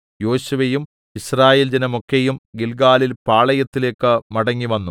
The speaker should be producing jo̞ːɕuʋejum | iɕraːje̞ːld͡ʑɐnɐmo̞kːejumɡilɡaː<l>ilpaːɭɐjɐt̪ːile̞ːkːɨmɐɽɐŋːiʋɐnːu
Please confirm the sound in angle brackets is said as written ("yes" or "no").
yes